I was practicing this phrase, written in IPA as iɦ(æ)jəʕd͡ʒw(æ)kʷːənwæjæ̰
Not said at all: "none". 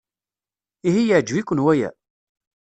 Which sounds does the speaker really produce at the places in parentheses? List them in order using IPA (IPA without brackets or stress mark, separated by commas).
i, i